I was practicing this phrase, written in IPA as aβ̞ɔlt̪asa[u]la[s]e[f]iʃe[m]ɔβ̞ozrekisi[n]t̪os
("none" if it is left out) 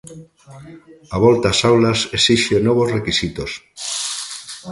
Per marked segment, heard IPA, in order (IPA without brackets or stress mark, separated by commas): w, s, s, n, none